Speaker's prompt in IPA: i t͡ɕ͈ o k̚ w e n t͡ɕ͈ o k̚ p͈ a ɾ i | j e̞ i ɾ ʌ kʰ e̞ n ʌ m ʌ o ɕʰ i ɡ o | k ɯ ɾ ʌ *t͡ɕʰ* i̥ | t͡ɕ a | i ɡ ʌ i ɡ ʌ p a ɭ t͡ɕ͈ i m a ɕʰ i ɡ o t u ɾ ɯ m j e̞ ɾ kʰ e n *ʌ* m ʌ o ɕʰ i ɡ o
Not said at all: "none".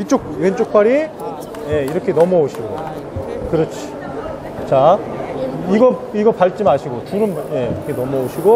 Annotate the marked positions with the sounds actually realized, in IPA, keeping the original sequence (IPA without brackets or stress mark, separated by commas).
t͡ɕʰ, ʌ